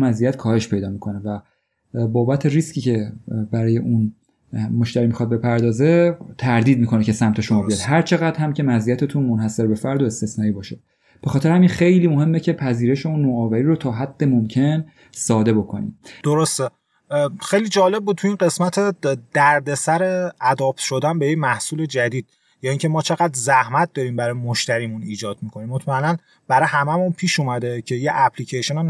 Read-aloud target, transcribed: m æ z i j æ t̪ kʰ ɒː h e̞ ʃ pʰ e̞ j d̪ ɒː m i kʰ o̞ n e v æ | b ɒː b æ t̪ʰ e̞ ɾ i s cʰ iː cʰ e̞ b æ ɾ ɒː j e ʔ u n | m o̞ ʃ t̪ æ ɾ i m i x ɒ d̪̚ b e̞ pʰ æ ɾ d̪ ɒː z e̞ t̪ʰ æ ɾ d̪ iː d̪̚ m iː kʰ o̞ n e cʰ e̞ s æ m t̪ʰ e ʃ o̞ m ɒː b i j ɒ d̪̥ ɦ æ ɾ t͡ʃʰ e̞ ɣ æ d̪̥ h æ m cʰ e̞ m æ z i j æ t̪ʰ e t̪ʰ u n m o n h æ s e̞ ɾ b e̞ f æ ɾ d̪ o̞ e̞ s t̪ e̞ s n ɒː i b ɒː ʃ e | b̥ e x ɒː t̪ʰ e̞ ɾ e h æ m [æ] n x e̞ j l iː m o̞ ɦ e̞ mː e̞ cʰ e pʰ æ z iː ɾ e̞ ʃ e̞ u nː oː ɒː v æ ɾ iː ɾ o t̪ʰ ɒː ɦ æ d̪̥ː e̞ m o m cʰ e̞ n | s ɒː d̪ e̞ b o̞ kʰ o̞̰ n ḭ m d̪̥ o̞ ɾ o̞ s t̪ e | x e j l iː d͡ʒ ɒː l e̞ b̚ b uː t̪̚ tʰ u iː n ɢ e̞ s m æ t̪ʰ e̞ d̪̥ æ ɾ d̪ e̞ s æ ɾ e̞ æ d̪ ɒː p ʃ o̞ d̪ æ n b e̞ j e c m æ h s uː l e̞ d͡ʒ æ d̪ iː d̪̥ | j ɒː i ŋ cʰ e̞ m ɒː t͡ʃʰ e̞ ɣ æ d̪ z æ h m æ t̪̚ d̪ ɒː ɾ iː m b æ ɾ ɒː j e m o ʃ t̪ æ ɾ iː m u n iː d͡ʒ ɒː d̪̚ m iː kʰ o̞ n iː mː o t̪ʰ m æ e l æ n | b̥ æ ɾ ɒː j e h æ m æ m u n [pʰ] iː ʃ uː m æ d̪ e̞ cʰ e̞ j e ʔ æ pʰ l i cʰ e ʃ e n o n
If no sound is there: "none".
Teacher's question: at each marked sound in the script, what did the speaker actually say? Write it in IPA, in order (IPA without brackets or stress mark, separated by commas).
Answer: i, pʰ